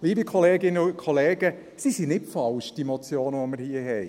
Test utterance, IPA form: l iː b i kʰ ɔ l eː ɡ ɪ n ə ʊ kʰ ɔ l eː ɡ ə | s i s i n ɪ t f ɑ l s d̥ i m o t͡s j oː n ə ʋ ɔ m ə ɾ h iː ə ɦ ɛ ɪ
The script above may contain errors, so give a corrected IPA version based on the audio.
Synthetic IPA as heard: l iː b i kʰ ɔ l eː ɡ ɪ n ə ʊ kʰ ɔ l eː ɡ ə | s i s i n ɪ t f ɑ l ʃ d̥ i m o t͡s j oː n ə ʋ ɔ m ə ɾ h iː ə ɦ ɛ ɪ